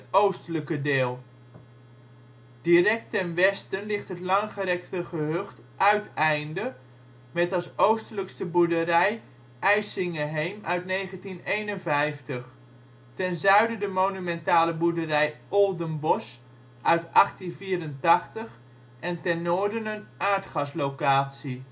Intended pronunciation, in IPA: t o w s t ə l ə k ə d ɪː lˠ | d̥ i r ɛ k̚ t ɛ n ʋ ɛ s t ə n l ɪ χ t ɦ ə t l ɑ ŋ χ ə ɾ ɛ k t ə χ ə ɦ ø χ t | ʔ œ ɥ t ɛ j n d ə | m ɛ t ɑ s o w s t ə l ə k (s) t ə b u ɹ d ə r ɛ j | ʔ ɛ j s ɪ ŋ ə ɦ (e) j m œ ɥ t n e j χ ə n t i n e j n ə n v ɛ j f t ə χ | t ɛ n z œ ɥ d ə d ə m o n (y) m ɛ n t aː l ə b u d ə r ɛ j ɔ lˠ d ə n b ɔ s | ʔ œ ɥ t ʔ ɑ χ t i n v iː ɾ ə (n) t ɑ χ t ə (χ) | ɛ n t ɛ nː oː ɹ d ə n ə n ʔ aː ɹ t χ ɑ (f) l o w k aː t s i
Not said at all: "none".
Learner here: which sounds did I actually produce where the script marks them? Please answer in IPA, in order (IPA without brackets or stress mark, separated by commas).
s, e, y, n, χ, s